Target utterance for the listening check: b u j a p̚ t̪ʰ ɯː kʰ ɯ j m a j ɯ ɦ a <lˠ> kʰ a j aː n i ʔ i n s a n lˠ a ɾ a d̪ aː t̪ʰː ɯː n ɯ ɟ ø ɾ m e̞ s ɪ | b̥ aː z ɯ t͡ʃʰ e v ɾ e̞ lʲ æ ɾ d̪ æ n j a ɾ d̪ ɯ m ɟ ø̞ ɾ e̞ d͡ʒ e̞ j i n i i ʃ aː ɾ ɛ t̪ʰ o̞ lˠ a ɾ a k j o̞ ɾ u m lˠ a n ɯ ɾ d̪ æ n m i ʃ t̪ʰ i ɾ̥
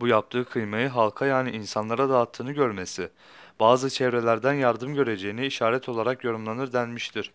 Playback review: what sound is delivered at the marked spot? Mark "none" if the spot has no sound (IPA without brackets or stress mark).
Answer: lˠ